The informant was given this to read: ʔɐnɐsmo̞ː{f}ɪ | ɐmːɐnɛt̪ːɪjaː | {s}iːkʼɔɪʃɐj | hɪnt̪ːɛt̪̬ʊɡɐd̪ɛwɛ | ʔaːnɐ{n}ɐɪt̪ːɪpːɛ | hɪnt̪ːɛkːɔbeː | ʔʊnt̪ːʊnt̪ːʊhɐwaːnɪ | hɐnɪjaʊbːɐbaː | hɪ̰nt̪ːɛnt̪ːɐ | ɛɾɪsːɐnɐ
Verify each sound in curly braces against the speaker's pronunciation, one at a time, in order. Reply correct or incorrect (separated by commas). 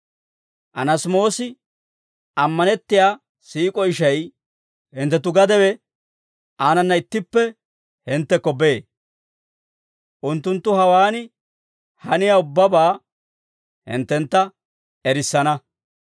incorrect, correct, incorrect